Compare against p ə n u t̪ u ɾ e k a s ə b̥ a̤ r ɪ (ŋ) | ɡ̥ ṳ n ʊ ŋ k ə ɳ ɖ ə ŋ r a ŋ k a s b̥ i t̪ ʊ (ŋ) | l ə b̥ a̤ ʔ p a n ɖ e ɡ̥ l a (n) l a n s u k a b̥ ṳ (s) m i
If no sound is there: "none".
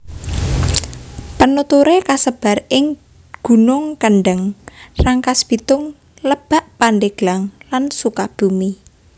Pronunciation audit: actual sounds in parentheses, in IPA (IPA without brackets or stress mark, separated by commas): ŋ, ŋ, ŋ, none